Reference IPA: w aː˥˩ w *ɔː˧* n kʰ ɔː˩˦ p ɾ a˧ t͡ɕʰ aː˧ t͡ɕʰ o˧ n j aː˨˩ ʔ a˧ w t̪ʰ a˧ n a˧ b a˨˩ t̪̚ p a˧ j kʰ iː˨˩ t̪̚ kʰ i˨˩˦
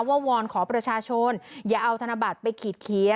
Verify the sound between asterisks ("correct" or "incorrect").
correct